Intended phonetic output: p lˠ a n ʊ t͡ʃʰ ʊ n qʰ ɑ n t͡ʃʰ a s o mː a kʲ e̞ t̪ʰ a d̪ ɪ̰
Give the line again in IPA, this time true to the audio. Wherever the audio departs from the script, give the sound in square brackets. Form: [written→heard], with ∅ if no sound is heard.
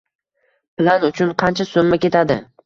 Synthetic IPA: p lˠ a n ʊ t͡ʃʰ ʊ n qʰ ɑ n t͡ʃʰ a s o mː a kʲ e̞ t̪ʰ a d̪ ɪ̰